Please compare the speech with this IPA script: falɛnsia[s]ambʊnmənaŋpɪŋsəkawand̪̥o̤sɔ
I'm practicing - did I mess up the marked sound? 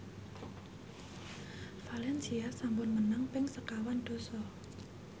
no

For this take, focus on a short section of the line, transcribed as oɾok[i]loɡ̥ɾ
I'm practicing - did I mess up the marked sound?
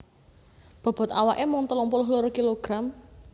no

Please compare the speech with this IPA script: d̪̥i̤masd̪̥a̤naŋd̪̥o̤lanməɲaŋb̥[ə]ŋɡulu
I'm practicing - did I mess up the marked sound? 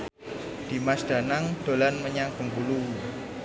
no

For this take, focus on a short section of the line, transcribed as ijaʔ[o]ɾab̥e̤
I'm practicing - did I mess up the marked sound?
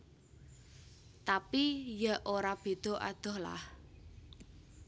no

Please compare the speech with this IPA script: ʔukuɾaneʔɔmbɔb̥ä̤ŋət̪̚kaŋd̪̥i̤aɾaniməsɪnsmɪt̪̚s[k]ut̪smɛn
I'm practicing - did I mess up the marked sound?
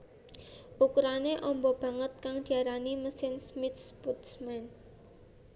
yes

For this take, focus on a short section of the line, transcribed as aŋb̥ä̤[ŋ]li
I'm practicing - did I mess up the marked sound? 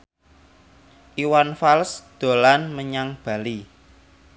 yes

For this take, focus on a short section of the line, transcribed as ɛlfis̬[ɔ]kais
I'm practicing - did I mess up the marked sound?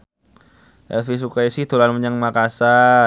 yes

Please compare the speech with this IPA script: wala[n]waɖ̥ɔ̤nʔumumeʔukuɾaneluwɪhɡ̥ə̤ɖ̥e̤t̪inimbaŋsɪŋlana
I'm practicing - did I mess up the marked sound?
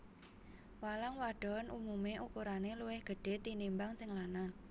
yes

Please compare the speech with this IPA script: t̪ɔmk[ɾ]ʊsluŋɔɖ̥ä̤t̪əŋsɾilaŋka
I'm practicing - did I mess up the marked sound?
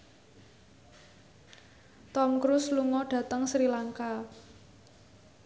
no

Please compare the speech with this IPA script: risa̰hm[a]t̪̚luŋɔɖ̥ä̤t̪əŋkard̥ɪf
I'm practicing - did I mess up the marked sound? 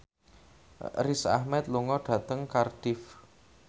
yes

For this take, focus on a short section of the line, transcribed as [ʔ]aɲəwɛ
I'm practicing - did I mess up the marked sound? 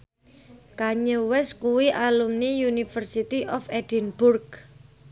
yes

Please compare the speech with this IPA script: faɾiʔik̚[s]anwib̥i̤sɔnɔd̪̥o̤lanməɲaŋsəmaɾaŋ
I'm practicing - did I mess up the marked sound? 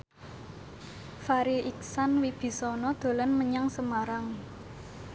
no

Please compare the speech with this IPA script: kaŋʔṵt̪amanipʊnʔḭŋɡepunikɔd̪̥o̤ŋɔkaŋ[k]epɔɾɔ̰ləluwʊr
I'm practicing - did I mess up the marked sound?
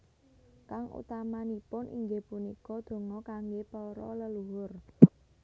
yes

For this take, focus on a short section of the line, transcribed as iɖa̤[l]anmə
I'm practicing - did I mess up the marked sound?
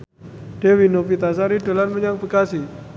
no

